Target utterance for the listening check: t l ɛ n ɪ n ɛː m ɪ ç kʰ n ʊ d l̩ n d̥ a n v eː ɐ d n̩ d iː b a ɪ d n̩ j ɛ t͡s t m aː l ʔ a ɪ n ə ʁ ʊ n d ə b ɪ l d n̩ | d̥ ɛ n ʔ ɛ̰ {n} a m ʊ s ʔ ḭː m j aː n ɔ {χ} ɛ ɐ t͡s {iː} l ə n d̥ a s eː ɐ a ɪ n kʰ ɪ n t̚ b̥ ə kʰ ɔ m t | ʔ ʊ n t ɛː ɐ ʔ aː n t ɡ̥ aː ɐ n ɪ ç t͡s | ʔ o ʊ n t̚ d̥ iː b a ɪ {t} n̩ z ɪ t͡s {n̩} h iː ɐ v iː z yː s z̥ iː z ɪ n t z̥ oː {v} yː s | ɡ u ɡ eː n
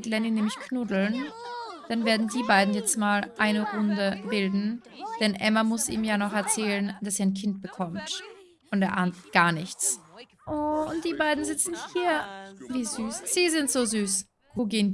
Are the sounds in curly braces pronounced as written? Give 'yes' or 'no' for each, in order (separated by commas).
no, yes, no, no, yes, no